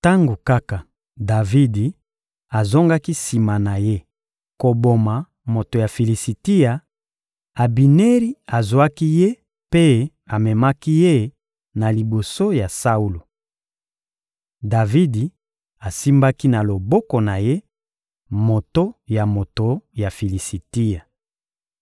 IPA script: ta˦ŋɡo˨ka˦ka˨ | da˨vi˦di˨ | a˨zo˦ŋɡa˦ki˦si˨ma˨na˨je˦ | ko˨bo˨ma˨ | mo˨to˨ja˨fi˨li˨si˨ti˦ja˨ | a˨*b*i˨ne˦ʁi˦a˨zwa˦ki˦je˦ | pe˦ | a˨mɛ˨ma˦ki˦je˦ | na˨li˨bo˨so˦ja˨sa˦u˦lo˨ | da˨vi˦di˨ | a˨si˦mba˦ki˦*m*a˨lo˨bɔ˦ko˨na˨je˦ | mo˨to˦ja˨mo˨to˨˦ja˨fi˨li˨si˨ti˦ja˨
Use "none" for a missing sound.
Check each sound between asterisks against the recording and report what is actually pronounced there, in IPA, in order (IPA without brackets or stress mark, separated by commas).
b, n